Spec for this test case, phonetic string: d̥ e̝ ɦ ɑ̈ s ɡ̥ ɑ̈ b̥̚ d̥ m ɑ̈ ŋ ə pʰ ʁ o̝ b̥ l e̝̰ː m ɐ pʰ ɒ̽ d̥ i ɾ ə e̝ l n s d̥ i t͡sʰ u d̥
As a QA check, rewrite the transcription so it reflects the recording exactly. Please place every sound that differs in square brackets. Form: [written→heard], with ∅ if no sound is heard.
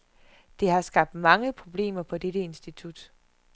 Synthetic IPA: d̥ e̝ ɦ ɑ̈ s ɡ̥ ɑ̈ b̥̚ d̥ m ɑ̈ ŋ ə pʰ ʁ o̝ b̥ l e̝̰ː m ɐ pʰ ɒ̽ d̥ [i→e] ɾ ə e̝ [l→∅] n s d̥ i t͡sʰ u d̥